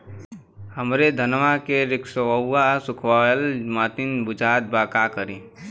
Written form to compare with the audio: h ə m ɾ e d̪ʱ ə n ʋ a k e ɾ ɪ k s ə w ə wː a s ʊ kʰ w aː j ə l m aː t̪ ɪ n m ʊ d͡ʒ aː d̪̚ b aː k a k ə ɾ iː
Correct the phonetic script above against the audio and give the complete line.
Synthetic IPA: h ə m ɾ e d̪ʱ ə n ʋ a k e ɾ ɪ k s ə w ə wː a s ʊ kʰ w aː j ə l m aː t̪ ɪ n b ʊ d͡ʒ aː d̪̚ b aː k a k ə ɾ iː